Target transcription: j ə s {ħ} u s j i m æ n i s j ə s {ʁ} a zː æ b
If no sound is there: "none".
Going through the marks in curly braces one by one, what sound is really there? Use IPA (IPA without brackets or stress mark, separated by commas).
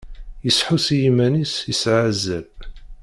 ħ, ʕ